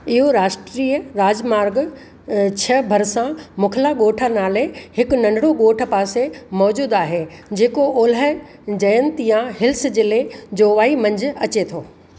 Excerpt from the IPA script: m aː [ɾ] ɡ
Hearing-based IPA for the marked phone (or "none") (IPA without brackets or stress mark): ɾ